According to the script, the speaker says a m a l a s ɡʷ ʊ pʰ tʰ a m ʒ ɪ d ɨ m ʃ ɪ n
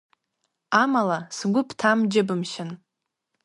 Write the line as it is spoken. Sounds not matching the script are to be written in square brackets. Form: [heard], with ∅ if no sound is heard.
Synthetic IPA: a m a l a s ɡʷ ʊ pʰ tʰ a m [d͡ʒ] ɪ [b] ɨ m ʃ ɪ n